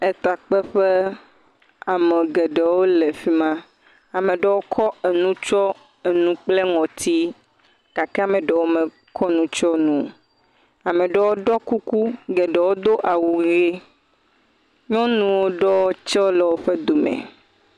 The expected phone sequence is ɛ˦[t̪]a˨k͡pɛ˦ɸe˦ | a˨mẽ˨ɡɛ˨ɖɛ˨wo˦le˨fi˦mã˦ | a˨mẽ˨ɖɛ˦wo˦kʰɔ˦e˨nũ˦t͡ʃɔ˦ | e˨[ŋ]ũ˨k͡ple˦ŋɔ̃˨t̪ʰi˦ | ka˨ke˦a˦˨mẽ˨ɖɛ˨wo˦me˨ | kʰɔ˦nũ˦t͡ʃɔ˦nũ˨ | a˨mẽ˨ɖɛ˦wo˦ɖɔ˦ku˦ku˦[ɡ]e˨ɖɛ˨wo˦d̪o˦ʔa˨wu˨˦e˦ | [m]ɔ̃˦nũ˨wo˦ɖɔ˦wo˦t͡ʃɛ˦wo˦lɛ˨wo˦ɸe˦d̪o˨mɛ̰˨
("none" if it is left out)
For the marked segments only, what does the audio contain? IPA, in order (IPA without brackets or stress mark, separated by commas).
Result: t̪, n, ɡ, ɲ